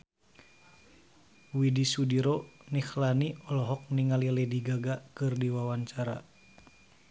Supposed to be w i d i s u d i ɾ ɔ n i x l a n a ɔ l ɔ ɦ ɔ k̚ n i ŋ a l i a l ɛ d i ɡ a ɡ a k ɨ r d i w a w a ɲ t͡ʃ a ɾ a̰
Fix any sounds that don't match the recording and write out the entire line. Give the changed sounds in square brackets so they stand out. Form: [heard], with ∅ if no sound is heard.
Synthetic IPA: w i d i s u d i ɾ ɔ n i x l a n [i] ɔ l ɔ ɦ ɔ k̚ n i ŋ a l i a l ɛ d i ɡ a ɡ a k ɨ r d i w a w a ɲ t͡ʃ a ɾ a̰